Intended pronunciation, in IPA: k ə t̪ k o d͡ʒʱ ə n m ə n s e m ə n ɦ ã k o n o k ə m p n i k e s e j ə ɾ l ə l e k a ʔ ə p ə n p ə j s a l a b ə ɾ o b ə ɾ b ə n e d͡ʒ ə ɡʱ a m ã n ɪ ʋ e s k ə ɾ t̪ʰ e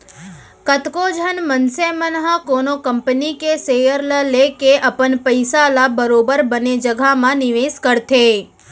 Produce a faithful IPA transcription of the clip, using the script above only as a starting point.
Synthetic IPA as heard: k ə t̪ k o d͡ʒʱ ə n m ə n s e m ə n ɦ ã k o n o k ə m p n i k e s e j ə ɾ l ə l e k e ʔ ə p ə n p ə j s a l a b ə ɾ o b ə ɾ b ə n e d͡ʒ ə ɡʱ a m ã n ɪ ʋ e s k ə ɾ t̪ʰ e